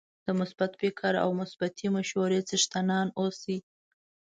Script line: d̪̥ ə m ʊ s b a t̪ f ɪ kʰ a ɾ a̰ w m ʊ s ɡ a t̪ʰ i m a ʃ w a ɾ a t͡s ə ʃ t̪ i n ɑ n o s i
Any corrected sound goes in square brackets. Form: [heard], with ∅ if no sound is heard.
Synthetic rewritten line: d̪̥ ə m ʊ s b a t̪ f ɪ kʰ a ɾ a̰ w m ʊ s [b] a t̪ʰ i m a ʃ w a ɾ [e] t͡s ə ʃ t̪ [a] n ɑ n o s i

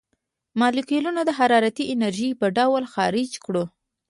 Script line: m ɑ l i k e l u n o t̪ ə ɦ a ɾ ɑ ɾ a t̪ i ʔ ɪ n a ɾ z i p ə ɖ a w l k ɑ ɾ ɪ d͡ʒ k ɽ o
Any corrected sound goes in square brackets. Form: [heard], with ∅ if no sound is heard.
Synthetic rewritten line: m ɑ l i k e l u n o [d̪] ə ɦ a ɾ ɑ ɾ a t̪ i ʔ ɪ n a ɾ [ʒ] i p ə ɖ a w l [x] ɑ ɾ ɪ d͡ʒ k ɽ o

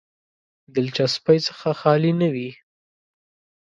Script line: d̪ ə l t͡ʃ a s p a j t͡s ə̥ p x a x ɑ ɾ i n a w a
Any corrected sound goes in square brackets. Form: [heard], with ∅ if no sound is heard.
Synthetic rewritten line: d̪ ə l t͡ʃ a s p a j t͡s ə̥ [∅] x a x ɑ [l] i n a w [i]

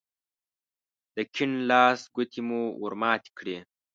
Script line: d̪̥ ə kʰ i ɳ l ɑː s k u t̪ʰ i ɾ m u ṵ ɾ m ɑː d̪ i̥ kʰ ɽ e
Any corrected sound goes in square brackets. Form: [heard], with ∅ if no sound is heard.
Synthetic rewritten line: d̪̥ ə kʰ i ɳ l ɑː s [ɡ] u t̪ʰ i [∅] m u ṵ ɾ m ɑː [t̪] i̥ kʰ ɽ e

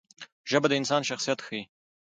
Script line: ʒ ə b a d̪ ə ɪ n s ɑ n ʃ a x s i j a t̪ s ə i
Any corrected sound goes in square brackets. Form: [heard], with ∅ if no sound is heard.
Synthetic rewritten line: ʒ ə b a d̪ ə ɪ n s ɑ n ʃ a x s i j a t̪ [x] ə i

